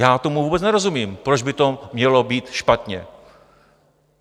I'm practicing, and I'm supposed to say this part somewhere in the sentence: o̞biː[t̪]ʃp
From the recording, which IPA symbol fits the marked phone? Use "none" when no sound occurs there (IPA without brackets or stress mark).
t̪